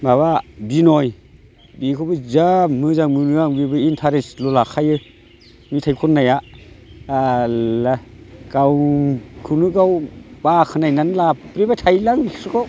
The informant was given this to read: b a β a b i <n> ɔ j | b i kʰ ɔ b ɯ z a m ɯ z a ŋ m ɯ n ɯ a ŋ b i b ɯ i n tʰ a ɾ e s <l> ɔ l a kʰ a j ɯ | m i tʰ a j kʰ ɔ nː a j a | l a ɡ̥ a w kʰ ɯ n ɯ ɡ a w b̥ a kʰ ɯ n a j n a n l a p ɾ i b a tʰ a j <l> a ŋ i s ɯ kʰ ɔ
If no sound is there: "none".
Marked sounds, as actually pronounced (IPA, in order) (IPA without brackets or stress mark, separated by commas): n, l, l